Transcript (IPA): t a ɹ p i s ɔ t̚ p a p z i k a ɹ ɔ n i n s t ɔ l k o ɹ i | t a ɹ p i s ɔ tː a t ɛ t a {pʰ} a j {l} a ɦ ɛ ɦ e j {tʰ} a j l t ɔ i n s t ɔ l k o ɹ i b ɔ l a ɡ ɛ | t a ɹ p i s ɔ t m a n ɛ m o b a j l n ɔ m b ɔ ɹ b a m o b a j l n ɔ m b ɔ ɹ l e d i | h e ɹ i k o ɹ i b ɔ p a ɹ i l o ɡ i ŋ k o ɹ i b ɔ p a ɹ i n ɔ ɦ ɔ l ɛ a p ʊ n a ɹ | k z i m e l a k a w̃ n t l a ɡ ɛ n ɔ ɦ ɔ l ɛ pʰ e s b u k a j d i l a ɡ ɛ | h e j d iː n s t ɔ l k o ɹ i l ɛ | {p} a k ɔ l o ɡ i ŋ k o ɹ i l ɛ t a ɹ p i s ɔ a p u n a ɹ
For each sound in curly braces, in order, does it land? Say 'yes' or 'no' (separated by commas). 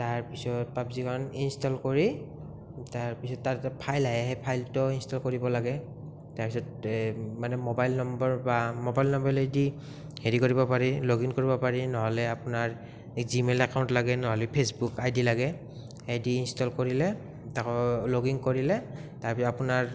yes, yes, no, no